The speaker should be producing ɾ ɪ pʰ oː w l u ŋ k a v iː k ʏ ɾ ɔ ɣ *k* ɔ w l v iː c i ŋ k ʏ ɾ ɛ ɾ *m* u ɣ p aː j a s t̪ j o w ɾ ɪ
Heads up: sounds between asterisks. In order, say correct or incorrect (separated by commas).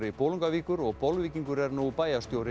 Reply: incorrect, incorrect